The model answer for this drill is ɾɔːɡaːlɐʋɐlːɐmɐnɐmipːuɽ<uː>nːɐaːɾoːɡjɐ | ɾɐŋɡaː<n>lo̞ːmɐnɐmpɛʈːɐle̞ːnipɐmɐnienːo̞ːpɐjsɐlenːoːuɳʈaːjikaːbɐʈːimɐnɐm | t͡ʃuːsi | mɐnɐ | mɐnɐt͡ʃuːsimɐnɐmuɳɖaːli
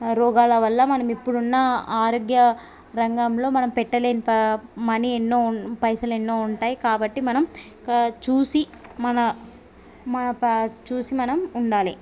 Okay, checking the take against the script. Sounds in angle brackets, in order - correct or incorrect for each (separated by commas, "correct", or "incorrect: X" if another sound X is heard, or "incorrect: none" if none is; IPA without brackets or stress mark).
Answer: incorrect: u, incorrect: m